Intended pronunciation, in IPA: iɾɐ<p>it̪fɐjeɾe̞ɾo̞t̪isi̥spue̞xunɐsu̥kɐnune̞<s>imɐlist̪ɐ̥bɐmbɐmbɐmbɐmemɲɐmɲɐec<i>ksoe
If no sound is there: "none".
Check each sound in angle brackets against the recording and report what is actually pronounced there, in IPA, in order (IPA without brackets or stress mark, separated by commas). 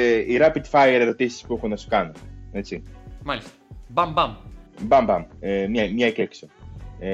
p, t͡s, e